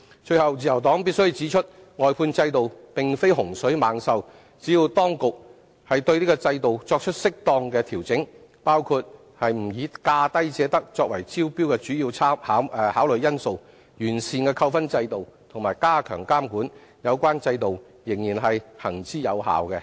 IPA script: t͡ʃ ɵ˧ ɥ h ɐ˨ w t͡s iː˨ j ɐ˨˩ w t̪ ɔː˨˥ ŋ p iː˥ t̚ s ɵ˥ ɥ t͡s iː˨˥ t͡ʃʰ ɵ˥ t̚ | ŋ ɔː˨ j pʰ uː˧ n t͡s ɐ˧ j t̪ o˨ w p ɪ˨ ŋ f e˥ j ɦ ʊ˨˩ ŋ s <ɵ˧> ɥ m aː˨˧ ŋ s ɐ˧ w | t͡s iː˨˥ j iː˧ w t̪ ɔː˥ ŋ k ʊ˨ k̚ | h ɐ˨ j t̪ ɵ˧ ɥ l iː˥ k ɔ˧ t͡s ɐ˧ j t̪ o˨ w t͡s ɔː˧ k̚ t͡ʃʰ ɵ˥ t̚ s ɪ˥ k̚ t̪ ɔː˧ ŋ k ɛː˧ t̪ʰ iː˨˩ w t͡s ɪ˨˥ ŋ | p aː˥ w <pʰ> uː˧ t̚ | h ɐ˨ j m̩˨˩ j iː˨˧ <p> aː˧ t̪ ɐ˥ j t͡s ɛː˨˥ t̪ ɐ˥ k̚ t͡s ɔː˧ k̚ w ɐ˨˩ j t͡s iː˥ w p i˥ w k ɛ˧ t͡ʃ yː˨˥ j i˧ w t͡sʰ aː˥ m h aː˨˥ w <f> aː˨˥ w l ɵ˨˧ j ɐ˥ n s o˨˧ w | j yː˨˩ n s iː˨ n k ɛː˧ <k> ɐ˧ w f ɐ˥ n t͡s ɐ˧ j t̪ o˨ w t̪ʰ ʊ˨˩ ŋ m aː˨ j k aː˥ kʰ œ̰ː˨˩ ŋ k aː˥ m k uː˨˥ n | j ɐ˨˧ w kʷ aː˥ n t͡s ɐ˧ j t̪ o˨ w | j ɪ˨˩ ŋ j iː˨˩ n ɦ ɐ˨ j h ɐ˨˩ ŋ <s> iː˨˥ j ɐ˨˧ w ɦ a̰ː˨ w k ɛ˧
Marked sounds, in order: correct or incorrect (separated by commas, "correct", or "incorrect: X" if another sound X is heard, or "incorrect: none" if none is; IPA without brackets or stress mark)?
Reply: incorrect: ɵ˨˥, incorrect: kʰ, incorrect: k, incorrect: h, incorrect: kʰ, incorrect: t͡s